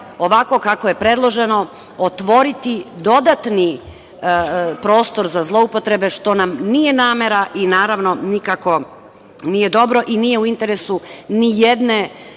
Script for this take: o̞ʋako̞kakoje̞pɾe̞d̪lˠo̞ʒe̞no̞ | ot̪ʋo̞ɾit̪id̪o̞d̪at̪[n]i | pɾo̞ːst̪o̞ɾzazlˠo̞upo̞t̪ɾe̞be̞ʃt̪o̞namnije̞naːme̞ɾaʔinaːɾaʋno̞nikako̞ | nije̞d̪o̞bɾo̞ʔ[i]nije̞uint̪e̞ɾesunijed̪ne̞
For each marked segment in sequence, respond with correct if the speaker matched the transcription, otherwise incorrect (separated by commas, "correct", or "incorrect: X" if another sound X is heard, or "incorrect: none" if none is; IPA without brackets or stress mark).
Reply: correct, correct